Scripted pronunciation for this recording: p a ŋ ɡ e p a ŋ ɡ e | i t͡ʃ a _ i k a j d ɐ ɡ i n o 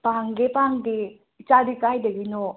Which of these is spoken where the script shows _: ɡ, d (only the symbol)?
d